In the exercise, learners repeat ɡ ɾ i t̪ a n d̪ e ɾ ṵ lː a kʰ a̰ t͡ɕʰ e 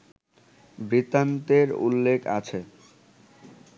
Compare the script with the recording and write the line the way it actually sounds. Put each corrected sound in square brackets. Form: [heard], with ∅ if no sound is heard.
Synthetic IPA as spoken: [b] ɾ i t̪ a n [t̪] e ɾ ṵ lː [e] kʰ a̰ t͡ɕʰ e